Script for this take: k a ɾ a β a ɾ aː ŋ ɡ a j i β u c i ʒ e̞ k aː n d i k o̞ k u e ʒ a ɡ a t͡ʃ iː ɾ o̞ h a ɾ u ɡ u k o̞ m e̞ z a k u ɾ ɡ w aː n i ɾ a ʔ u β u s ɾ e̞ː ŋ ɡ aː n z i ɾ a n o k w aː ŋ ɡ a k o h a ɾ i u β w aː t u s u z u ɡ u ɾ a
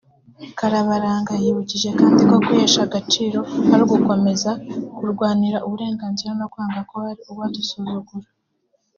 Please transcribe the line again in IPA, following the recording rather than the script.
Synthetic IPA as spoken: k a ɾ a β a ɾ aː ŋ ɡ a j i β u c i ʒ e̞ k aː n d i k o̞ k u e ʃ a ɡ a t͡ʃ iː ɾ o̞ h a ɾ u ɡ u k o̞ m e̞ z a k u ɾ ɡ w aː n i ɾ a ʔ u β u ɾ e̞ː ŋ ɡ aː n z i ɾ a n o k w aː ŋ ɡ a k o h a ɾ i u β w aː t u s u z u ɡ u ɾ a